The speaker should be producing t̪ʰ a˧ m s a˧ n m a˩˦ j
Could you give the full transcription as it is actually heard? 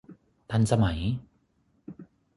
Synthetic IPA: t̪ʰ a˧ n s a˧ m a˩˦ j